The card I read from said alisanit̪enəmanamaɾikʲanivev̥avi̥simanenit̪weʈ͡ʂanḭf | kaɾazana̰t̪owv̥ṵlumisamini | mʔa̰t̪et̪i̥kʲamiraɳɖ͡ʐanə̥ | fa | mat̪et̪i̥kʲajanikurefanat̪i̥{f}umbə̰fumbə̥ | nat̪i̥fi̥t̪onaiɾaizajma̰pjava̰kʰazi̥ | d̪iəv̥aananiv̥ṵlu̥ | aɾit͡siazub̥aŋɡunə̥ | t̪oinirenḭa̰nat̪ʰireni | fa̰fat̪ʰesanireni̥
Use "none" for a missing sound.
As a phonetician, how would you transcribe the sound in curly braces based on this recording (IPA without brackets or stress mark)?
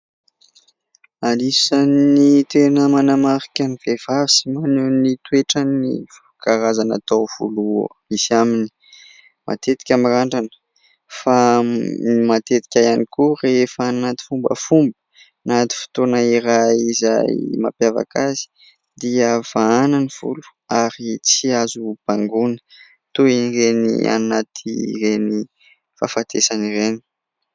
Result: f